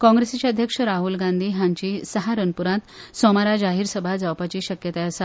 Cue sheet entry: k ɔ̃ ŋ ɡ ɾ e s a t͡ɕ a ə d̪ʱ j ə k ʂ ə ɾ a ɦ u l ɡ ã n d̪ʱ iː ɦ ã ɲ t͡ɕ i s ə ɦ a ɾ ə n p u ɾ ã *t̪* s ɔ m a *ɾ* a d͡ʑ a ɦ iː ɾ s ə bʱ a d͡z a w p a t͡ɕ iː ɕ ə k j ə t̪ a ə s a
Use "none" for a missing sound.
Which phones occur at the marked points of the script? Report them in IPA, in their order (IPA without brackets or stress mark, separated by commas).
t̪, ɾ